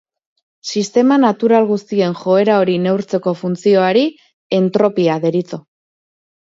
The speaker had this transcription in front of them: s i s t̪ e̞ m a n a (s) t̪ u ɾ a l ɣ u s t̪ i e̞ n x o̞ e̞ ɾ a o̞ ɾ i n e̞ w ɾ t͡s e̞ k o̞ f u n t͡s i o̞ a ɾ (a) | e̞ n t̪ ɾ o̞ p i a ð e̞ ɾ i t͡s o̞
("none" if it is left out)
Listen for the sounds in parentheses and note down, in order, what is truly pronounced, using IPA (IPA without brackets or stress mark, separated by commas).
none, i